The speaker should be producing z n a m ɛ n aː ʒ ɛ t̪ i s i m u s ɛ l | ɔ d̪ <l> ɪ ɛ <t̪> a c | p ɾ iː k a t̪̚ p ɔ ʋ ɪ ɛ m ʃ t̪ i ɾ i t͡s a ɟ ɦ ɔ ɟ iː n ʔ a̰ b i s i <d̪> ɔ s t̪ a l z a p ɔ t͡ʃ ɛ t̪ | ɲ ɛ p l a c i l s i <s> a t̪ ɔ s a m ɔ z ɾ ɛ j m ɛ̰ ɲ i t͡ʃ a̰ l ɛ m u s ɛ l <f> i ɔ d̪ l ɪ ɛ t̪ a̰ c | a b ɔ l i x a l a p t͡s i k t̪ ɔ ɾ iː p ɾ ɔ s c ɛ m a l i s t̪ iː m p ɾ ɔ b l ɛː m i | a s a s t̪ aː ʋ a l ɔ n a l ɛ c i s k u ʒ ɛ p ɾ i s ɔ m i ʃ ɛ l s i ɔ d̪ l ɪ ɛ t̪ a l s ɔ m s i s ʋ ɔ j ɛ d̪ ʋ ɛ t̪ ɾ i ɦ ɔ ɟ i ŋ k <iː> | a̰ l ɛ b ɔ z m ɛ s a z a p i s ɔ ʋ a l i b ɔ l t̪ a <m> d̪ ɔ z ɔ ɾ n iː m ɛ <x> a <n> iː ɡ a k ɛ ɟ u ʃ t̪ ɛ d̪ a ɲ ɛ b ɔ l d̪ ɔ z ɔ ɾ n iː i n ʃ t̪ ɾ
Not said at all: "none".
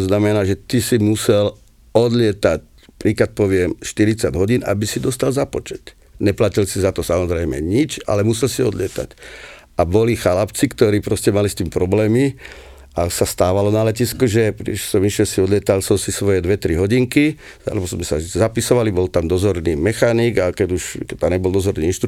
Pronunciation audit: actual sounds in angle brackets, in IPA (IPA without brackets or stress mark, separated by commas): l, t̪, d̪, z, s, i, m, x, n